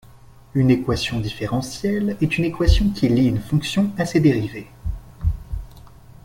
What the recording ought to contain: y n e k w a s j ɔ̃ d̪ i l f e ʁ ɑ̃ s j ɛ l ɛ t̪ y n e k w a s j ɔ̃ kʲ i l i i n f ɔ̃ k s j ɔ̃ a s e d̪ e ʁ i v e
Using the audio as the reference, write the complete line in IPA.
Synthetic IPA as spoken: y n e k w a s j ɔ̃ d̪ i f e ʁ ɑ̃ s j ɛ l ɛ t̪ y n e k w a s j ɔ̃ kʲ i l i y n f ɔ̃ k s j ɔ̃ a s e d̪ e ʁ i v e